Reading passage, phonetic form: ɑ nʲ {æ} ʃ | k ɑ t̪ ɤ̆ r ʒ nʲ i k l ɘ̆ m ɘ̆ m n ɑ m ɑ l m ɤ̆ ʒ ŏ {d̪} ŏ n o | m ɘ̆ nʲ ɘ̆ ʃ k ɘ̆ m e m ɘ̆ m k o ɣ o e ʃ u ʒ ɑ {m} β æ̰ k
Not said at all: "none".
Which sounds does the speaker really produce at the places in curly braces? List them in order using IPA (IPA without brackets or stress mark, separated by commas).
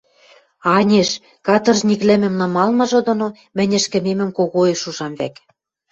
e, d̪, m